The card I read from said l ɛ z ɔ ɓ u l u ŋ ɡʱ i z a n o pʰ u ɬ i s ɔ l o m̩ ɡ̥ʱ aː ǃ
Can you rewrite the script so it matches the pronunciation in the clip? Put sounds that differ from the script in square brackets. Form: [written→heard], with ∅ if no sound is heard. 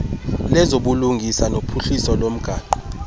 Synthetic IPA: l ɛ z [ɔ→o] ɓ u l u ŋ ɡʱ i [z→s] a n o pʰ u ɬ i s ɔ l o m̩ ɡ̥ʱ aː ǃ